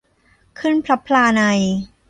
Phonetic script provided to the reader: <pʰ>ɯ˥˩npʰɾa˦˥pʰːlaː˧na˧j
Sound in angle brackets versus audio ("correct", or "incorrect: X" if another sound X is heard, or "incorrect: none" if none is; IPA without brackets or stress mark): incorrect: kʰ